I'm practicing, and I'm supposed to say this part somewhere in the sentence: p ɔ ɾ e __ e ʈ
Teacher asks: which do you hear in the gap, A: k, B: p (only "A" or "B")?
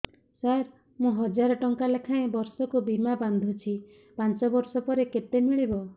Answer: A